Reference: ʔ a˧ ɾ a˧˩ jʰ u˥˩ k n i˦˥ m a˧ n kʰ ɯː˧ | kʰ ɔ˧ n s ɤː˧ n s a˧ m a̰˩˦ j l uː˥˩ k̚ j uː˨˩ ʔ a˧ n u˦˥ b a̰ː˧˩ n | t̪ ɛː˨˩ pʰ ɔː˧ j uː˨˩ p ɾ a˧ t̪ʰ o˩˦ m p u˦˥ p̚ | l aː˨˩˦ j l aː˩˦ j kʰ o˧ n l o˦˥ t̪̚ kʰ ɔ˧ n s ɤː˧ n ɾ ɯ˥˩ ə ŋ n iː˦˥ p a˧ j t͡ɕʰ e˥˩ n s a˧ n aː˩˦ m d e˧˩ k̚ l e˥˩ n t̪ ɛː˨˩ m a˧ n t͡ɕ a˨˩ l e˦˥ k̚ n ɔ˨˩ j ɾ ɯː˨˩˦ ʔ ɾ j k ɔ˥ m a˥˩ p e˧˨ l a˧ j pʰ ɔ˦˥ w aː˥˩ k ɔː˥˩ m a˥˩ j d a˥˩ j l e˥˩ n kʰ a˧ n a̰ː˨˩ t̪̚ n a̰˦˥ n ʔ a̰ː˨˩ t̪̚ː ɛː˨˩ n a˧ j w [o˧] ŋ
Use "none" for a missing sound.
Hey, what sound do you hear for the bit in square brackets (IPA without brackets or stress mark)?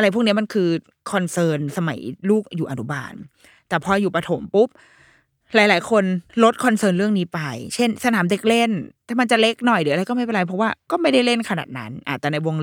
o˧